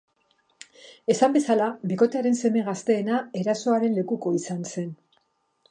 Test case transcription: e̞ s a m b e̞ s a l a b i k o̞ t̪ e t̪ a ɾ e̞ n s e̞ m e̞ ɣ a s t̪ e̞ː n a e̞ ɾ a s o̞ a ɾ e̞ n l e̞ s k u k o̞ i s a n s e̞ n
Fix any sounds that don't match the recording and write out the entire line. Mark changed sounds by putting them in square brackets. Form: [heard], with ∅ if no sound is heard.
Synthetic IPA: e̞ s a m b e̞ s a l a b i k o̞ t̪ e [∅] a ɾ e̞ n s e̞ m e̞ ɣ a s t̪ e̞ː n a e̞ ɾ a s o̞ a ɾ e̞ n l e̞ [∅] k u k o̞ i s a n s e̞ n

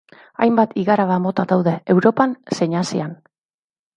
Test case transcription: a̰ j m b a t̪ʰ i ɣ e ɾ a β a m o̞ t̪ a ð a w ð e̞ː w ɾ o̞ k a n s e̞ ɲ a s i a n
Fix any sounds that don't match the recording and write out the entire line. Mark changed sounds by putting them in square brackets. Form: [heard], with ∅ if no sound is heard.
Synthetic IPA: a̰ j m b a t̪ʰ i ɣ [a] ɾ a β a m o̞ t̪ a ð a w ð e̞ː w ɾ o̞ [p] a n s e̞ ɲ a s i a n

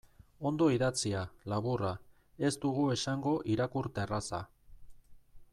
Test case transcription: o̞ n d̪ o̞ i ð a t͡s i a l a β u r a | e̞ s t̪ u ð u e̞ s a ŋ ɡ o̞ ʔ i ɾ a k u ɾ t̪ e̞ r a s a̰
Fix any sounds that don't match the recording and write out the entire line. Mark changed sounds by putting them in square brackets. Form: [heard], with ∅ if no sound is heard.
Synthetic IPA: o̞ n d̪ o̞ i ð a t͡s i a l a β u r a | e̞ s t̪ u [ɣ] u e̞ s a ŋ ɡ o̞ ʔ i ɾ a k u ɾ t̪ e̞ r a s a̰

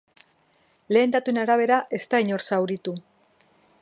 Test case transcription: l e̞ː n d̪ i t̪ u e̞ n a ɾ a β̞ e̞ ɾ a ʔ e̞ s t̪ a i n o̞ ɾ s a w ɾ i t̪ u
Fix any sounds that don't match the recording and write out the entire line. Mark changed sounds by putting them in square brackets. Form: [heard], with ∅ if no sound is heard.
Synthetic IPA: l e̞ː n d̪ [a] t̪ u e̞ n a ɾ a β̞ e̞ ɾ a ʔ e̞ s t̪ a i [ɲ] o̞ ɾ s a w ɾ i t̪ u

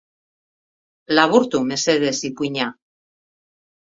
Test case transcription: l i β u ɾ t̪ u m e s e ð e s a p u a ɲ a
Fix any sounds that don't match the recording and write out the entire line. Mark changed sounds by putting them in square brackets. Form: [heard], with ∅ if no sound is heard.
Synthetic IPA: l [a] β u ɾ t̪ u m e s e ð e s [i] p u [i] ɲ a

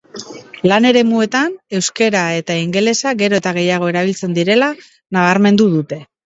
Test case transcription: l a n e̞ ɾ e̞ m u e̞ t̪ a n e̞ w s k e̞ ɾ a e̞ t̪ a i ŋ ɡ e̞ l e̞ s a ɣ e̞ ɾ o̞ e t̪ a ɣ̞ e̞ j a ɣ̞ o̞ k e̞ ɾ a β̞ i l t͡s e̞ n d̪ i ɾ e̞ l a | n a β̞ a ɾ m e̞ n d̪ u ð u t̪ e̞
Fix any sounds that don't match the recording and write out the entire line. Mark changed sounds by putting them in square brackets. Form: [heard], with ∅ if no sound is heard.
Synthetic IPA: l a n e̞ ɾ e̞ m u e̞ t̪ a n e̞ w s k e̞ ɾ a e̞ t̪ a i ŋ ɡ e̞ l e̞ s a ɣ e̞ ɾ o̞ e t̪ a ɣ̞ e̞ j a ɣ̞ o̞ [∅] e̞ ɾ a β̞ i l t͡s e̞ n d̪ i ɾ e̞ l a | n a β̞ a ɾ m e̞ n d̪ u ð u t̪ e̞

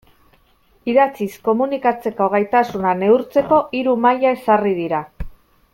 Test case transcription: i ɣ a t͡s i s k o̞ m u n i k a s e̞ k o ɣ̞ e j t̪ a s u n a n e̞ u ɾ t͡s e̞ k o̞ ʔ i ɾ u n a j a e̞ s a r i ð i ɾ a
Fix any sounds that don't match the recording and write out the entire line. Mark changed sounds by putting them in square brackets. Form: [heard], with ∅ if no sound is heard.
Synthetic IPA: i [ð] a t͡s i s k o̞ m u n i k a [t͡s] e̞ k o ɣ̞ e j t̪ a s u n a n e̞ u ɾ t͡s e̞ k o̞ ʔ i ɾ u [m] a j a e̞ s a r i ð i ɾ a

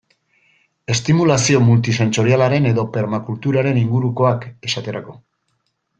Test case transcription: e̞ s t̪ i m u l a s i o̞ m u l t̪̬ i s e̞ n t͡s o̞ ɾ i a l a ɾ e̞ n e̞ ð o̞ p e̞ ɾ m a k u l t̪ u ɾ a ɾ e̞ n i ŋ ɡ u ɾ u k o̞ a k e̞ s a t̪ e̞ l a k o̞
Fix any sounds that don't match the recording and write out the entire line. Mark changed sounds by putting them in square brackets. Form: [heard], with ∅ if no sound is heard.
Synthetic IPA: e̞ s t̪ i m u l a s i o̞ m u l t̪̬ i s e̞ n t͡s o̞ ɾ i a l a ɾ e̞ n e̞ ð o̞ p e̞ ɾ m a k u l t̪ u ɾ a ɾ e̞ n i ŋ ɡ u ɾ u k o̞ a k e̞ s a t̪ e̞ [ɾ] a k o̞

